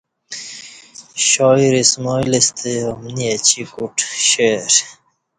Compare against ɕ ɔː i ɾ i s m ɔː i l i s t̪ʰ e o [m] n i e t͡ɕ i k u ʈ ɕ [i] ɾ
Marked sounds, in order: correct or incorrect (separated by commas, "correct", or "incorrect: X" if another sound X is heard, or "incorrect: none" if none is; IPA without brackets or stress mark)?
correct, incorrect: e